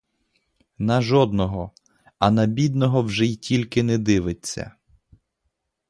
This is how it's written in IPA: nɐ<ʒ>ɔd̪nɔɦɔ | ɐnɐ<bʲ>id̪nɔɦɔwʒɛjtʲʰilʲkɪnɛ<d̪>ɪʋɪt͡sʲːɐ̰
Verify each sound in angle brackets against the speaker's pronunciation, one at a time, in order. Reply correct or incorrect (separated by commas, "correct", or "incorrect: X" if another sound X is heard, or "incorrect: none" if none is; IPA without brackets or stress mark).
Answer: correct, correct, correct